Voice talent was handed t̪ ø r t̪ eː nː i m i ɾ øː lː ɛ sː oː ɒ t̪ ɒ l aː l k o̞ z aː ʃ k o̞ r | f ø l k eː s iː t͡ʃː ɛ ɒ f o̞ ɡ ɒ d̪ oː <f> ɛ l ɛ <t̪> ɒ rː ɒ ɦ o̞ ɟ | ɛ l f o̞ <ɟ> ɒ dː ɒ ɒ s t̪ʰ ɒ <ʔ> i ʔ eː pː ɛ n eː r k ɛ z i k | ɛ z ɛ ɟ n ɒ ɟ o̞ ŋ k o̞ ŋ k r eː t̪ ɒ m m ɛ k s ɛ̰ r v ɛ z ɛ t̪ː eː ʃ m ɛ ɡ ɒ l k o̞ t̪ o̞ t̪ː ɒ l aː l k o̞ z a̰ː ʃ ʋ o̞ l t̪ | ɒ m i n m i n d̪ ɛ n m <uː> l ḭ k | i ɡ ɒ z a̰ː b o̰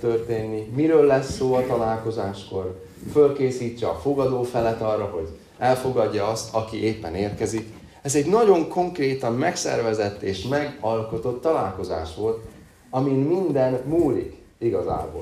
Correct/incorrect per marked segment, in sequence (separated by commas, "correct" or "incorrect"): correct, correct, incorrect, incorrect, correct